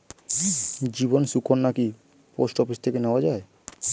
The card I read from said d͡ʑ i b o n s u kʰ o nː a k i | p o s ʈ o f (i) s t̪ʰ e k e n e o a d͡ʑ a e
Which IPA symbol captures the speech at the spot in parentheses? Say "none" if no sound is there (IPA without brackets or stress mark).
i